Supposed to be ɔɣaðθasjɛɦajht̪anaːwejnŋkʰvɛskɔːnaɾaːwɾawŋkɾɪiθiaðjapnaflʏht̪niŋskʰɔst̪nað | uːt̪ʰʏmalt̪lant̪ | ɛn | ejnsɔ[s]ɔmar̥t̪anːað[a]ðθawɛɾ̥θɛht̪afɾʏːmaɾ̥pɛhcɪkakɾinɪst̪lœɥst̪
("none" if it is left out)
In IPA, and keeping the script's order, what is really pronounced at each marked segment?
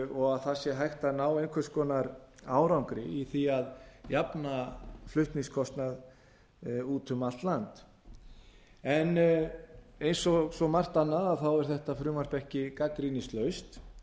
s, a

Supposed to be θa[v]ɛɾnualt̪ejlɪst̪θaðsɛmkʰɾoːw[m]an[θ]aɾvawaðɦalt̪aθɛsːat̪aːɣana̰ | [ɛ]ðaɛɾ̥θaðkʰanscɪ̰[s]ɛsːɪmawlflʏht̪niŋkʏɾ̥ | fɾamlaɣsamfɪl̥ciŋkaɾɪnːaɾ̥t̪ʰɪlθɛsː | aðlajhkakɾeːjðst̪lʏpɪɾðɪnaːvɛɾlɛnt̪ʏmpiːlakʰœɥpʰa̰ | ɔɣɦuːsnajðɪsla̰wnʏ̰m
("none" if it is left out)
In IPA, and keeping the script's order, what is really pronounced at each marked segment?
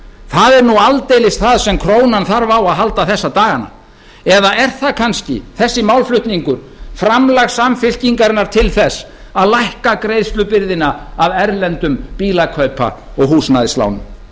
ð, n, θ, ɛ, θ

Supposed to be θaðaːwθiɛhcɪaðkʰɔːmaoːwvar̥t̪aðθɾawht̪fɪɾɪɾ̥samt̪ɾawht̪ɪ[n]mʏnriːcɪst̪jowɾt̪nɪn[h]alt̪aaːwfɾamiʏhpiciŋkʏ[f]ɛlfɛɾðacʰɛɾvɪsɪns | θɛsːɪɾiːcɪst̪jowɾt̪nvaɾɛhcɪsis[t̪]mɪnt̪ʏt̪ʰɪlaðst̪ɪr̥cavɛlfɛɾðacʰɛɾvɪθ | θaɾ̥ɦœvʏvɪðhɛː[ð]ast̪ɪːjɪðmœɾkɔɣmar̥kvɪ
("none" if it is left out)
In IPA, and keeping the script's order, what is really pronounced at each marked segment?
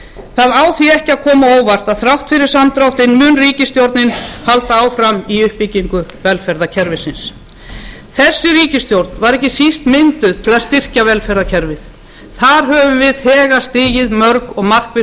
n, h, v, t̪, ɣ

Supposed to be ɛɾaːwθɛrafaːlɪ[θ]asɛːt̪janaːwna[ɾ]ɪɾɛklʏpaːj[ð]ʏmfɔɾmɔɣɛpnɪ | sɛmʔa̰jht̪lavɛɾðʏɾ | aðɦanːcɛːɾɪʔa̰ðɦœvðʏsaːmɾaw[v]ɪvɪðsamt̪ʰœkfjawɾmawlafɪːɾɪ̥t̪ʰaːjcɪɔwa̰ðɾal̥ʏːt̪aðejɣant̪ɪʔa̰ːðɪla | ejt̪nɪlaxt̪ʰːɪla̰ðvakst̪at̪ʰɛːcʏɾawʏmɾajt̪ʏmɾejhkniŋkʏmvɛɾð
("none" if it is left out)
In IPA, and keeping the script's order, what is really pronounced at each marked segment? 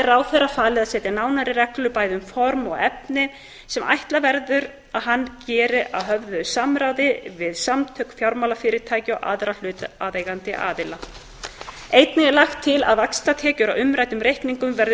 ð, ɾ, ð, ð

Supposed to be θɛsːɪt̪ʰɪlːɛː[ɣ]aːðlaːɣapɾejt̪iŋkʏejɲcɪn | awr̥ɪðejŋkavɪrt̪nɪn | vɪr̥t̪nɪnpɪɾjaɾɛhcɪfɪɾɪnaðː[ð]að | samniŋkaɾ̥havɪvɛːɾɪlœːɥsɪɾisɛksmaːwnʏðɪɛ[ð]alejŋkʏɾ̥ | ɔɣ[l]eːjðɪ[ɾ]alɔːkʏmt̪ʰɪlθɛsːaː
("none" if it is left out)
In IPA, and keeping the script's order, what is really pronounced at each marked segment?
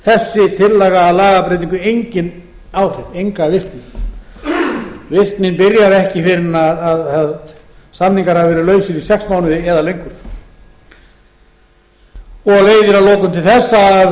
ɣ, ð, ð, l, ɾ

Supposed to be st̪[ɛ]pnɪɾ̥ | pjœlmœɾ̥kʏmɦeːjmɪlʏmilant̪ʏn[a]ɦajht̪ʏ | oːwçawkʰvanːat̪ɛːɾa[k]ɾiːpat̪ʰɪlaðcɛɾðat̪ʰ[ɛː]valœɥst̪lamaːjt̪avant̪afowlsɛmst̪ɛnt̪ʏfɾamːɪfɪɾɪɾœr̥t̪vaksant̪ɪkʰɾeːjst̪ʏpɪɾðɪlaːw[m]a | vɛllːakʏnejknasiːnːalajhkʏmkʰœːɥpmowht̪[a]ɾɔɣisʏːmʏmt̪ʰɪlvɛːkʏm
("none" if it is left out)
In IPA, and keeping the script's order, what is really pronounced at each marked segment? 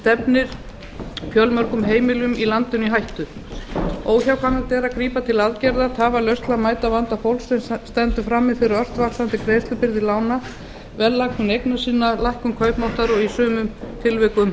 ɛ, i, k, aː, n, a

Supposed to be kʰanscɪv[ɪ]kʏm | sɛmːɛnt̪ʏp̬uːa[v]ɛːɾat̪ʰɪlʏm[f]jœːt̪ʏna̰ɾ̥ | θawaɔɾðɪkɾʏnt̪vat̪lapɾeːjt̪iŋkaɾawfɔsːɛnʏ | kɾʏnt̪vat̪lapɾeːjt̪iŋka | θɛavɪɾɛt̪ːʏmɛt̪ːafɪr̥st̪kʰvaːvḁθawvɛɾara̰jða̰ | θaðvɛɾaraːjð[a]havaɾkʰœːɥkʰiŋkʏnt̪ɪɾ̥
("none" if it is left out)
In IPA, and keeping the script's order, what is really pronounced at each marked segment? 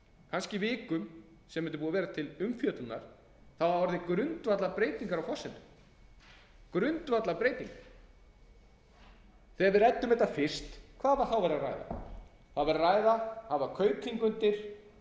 ɪː, v, f, a

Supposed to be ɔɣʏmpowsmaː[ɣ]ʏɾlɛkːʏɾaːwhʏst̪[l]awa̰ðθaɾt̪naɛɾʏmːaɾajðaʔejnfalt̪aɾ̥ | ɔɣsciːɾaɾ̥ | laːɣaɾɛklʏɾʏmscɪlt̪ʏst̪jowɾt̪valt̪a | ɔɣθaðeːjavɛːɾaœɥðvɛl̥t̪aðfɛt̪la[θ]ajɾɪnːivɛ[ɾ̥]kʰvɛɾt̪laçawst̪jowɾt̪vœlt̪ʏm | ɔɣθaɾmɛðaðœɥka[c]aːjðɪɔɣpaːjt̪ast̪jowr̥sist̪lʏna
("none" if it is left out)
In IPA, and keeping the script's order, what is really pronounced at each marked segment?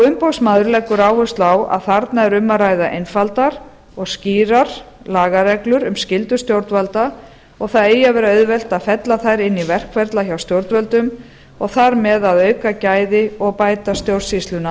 ð, l, θ, r̥, c

